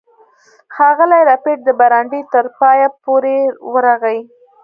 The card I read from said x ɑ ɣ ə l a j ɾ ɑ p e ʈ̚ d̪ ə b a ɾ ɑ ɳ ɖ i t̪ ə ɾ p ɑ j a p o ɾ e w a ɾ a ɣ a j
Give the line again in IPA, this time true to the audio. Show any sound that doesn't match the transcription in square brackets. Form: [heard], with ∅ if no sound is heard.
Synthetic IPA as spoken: x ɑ ɣ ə l a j ɾ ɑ p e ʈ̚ d̪ ə b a ɾ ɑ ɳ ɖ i t̪ ə ɾ p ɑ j a p o ɾ e w [ə] ɾ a ɣ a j

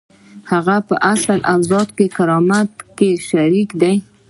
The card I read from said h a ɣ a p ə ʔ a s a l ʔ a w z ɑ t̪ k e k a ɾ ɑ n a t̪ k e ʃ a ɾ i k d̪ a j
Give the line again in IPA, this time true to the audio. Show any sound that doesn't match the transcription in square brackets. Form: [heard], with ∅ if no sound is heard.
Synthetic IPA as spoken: h a ɣ a p ə ʔ a s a l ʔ a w z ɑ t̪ k e k a ɾ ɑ [m] a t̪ k e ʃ a ɾ i k d̪ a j

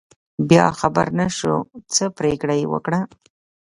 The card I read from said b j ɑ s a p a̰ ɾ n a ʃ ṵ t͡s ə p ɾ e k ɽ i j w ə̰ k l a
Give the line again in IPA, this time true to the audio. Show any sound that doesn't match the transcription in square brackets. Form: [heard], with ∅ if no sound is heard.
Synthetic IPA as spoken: b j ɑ [x] a [b] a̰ ɾ n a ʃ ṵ t͡s ə p ɾ e k ɽ [a] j w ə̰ k [ɽ] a

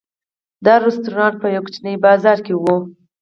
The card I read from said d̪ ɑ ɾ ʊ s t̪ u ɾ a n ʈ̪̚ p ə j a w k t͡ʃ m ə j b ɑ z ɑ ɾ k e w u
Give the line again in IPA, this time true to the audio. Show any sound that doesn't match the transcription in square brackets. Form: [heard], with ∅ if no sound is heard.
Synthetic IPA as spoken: d̪ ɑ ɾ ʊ s t̪ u ɾ [ɑ] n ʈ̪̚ p ə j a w k t͡ʃ [n] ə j b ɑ z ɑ ɾ k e w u

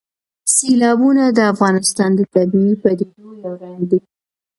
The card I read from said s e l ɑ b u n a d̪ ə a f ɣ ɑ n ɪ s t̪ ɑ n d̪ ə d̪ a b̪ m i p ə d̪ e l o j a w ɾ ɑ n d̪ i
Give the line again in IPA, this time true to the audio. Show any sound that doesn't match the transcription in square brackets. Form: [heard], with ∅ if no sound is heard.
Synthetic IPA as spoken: s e l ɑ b u n a d̪ ə a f ɣ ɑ n ɪ s t̪ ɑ n d̪ ə [t̪] a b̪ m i p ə d̪ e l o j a w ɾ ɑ n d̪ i

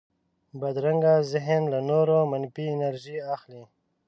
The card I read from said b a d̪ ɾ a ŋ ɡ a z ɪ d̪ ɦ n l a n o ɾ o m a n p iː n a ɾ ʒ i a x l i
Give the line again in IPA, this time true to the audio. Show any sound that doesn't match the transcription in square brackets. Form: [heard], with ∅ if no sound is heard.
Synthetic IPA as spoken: b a d̪ ɾ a ŋ ɡ a z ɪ [∅] ɦ n l a n o ɾ o m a n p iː n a ɾ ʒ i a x l i

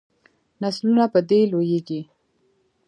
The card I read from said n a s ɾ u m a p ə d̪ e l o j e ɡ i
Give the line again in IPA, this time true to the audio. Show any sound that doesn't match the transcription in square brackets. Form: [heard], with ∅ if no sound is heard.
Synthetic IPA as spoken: n a s [l] u [n] a p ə d̪ e l o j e ɡ i

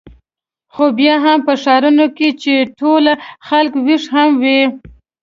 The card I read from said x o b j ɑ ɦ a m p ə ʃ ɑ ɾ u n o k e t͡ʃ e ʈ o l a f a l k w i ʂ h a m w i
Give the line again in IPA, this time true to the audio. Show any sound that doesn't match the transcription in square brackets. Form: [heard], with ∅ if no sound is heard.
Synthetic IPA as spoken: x o b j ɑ ɦ a m p ə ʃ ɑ ɾ u n o k e t͡ʃ e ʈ o l a [x] a l k w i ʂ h a m w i

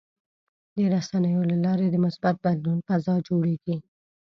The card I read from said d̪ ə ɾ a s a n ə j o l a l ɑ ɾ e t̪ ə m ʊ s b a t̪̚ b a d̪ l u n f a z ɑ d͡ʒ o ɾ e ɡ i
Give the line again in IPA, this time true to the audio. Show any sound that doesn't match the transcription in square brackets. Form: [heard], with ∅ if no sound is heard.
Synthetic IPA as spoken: d̪ ə ɾ a s a n ə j o l a l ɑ ɾ e [d̪] ə m ʊ s b a t̪̚ b a d̪ l u n f a z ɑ d͡ʒ o [ɽ] e ɡ i

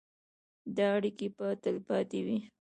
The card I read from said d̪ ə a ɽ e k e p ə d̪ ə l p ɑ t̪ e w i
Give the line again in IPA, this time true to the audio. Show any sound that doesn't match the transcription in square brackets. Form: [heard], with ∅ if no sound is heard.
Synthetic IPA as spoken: d̪ [ɑ] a ɽ [i] k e p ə [t̪] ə l p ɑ t̪ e w i

